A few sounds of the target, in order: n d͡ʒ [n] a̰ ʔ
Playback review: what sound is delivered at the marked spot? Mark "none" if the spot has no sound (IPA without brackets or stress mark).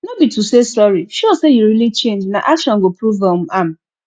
n